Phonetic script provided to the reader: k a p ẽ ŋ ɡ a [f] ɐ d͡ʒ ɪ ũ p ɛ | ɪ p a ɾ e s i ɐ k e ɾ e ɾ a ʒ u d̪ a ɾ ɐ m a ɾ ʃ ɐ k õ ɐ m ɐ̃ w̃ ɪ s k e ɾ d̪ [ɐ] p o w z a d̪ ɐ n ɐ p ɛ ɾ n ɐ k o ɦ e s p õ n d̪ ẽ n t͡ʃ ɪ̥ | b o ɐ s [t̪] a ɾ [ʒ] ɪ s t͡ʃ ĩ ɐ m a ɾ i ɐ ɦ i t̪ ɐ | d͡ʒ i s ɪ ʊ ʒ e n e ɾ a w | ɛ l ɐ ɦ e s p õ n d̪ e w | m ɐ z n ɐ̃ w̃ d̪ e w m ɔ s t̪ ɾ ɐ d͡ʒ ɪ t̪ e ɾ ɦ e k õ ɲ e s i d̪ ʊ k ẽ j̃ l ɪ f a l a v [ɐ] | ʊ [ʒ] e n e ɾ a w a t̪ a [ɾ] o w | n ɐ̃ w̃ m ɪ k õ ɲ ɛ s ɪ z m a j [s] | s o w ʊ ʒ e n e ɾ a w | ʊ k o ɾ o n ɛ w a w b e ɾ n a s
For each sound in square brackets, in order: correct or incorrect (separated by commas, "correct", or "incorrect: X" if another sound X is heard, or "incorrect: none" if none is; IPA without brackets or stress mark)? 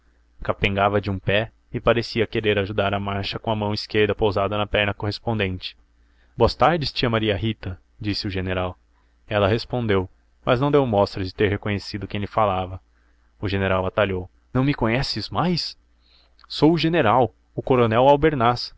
incorrect: v, correct, correct, incorrect: d͡ʒ, correct, correct, incorrect: ʎ, correct